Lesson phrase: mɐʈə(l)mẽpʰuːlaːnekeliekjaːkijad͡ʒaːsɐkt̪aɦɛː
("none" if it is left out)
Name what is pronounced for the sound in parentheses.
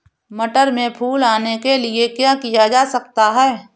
ɾ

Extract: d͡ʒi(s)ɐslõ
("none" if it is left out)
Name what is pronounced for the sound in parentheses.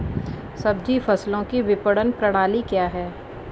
f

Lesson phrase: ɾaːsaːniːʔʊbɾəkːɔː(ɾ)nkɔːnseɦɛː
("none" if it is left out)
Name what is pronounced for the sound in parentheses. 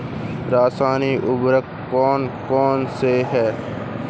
none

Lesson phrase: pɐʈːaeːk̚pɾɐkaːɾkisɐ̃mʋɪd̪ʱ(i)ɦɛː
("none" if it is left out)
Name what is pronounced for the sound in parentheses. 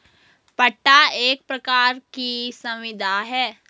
a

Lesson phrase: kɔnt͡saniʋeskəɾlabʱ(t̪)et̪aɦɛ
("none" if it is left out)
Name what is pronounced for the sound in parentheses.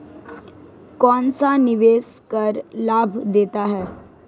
d̪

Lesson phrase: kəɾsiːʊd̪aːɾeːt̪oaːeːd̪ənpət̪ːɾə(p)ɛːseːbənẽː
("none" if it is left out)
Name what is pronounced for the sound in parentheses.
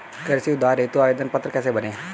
k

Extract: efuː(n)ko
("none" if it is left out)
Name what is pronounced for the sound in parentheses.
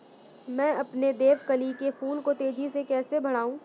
n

